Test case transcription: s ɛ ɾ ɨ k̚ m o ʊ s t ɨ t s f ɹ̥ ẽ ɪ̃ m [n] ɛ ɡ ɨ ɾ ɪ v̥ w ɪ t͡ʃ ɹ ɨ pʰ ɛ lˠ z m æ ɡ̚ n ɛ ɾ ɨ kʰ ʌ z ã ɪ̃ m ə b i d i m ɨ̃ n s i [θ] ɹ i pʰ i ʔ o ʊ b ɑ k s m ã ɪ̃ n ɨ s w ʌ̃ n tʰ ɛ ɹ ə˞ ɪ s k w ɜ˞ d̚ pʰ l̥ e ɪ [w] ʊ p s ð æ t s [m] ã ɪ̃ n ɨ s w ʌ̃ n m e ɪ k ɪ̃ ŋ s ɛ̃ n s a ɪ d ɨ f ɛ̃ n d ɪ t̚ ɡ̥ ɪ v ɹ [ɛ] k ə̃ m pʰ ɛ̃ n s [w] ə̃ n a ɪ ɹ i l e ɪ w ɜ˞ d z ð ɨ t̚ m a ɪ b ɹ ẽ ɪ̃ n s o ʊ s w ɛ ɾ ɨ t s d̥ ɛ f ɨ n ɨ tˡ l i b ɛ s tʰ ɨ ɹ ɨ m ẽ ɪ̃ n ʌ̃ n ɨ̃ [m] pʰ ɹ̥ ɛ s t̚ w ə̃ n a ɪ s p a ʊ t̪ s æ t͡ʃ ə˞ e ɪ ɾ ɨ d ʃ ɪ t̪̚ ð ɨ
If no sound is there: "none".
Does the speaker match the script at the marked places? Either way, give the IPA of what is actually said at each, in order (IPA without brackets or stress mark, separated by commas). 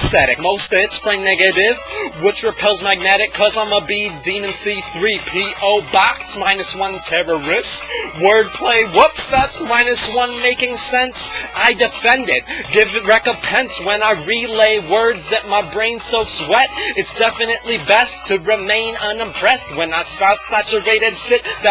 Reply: n, θ, w, m, ɛ, w, m